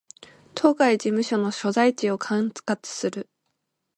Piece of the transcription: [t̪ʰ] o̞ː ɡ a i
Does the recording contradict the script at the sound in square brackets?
no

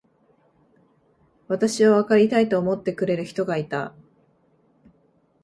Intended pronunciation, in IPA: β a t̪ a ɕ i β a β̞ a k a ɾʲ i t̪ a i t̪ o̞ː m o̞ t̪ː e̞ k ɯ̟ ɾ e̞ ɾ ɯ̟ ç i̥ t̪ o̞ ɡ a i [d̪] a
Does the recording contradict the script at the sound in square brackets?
yes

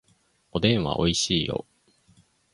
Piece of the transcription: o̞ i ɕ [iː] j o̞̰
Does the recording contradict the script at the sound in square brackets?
no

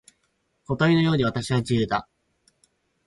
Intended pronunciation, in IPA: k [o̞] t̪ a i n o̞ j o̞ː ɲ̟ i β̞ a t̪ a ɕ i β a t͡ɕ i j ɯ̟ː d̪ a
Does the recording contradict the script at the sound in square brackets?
no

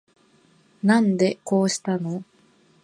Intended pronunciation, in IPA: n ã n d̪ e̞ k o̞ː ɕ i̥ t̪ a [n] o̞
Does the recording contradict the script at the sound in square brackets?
no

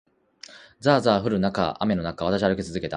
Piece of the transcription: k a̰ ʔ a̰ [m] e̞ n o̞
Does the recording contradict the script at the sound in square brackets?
no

